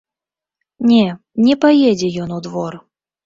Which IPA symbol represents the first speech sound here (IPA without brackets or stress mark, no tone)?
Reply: nʲ